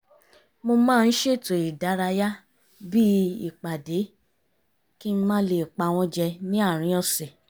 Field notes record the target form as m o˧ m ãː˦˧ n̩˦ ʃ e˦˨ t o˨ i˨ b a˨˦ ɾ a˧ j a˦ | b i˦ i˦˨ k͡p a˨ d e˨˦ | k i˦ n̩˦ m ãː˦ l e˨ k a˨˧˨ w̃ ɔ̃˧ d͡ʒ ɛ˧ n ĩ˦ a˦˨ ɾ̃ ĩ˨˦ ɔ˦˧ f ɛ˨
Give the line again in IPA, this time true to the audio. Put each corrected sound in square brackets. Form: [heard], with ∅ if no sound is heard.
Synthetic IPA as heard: m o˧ m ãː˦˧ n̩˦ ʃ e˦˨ t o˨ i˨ [d] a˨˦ ɾ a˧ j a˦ | b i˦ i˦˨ k͡p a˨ d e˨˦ | k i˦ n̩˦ m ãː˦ l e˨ [k͡p] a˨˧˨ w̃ ɔ̃˧ d͡ʒ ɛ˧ n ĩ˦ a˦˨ ɾ̃ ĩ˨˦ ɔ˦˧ [s] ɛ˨